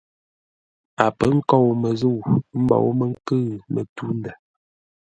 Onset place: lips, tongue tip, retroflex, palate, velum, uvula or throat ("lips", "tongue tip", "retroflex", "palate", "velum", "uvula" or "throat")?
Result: lips